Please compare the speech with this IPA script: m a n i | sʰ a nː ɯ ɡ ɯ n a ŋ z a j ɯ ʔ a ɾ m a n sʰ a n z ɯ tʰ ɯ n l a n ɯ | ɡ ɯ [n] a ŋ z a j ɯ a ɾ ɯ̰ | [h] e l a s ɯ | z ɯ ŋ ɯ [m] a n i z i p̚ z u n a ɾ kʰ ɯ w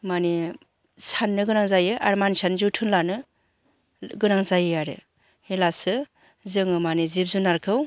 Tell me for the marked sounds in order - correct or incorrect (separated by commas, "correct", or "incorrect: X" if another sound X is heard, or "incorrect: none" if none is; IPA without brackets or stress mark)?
correct, correct, correct